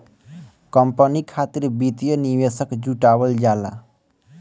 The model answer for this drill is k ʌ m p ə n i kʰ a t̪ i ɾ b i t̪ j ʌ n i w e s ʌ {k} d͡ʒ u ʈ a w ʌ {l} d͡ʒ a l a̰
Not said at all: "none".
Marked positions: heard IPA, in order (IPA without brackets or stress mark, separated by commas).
k, l